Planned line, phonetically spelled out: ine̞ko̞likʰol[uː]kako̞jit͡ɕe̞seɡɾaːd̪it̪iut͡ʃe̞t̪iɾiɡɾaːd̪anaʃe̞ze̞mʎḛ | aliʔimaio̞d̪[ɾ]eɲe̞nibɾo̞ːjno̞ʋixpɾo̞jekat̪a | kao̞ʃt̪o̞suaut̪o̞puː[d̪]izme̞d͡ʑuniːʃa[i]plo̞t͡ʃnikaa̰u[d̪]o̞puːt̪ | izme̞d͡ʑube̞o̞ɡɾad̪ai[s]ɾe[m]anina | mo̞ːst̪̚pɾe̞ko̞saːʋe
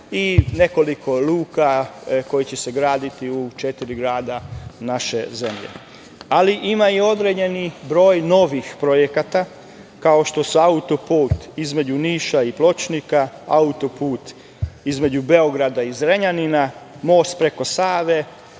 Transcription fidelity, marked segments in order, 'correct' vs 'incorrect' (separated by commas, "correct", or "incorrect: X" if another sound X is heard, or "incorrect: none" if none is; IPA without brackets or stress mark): correct, correct, incorrect: t̪, correct, incorrect: t̪, incorrect: z, incorrect: ɲ